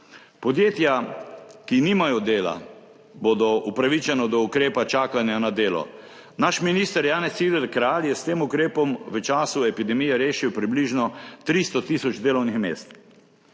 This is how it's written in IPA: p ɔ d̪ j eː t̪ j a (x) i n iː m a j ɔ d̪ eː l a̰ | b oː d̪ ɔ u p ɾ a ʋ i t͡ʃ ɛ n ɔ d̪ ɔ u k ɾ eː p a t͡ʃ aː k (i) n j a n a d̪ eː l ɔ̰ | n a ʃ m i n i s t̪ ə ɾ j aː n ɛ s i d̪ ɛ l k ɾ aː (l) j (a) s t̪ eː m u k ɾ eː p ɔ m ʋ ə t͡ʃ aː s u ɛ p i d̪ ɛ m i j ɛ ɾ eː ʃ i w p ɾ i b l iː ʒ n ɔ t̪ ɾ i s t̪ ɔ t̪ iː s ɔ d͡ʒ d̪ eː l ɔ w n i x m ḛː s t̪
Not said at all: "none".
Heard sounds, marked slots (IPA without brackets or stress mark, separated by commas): k, a, l, ɛ